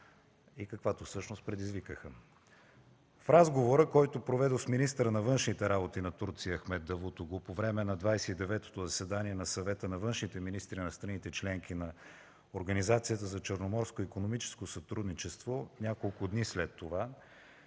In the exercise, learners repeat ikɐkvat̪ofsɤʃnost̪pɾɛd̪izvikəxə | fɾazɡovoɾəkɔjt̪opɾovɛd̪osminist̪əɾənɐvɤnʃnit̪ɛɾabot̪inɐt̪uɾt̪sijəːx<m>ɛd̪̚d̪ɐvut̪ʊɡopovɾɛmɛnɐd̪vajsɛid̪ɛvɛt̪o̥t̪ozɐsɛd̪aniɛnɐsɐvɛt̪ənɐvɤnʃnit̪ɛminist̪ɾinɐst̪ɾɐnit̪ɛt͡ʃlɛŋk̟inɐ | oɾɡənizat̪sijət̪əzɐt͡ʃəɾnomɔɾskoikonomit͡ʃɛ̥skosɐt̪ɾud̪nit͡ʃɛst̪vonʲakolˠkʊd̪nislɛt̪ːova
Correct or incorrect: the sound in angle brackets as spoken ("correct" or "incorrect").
correct